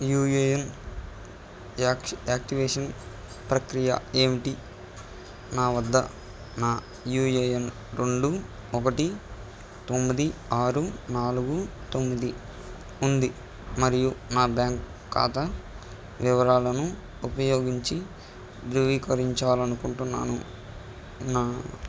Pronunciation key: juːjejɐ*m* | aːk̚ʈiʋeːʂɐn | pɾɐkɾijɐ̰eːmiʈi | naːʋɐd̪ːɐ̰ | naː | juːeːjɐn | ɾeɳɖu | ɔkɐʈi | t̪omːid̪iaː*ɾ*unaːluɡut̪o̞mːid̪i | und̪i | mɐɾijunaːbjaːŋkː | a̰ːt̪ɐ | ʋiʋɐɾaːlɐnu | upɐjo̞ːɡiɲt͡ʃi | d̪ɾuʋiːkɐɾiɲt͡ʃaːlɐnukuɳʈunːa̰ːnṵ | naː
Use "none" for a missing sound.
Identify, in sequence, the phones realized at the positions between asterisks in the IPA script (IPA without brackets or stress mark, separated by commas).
n, ɾ